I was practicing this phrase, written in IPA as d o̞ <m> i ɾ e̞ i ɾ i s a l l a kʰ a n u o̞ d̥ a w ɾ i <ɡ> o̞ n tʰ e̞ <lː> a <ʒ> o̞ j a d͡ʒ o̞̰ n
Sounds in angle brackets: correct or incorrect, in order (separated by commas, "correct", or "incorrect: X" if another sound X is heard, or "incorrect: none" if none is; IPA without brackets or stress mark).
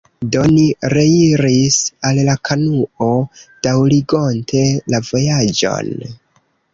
incorrect: n, correct, incorrect: l, incorrect: v